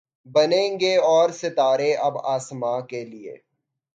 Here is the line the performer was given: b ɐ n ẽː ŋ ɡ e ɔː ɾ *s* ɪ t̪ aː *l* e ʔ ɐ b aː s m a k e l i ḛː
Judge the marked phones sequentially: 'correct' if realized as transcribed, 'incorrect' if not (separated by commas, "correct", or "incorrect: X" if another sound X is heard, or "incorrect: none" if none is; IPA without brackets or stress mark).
correct, incorrect: ɾ